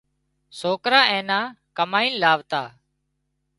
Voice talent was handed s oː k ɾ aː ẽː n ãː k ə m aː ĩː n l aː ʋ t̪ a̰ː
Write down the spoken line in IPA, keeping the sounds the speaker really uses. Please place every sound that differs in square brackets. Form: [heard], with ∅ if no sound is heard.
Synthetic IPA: s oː k ɾ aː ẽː n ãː k ə m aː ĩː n l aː ʋ t̪ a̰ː